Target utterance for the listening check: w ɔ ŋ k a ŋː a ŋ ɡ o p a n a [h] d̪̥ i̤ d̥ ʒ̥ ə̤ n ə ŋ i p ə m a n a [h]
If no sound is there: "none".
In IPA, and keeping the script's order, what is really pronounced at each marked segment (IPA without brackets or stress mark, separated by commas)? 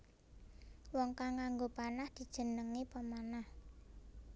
h, h